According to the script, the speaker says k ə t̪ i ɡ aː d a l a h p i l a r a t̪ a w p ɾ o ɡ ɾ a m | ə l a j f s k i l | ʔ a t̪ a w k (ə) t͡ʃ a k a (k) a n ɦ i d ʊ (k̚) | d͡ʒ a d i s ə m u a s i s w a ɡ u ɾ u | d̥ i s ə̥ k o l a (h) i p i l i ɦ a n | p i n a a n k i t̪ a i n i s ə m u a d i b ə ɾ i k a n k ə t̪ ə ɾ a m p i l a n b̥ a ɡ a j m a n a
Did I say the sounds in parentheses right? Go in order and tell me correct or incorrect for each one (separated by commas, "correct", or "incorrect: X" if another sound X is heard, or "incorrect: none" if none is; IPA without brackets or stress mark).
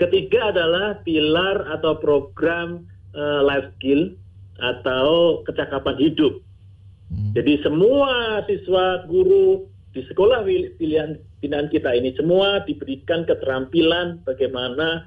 correct, incorrect: p, incorrect: p̚, correct